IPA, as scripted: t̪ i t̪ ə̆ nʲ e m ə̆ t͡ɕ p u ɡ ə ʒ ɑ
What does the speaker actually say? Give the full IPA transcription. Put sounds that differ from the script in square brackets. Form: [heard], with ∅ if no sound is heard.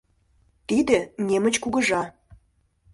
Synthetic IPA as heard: t̪ i [d̪] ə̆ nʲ e m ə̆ t͡ɕ [k] u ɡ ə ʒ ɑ